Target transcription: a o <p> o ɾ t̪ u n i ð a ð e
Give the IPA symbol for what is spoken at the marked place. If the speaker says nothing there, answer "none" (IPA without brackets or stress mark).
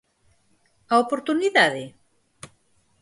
p